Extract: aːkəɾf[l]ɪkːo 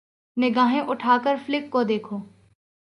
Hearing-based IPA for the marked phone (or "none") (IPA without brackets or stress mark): l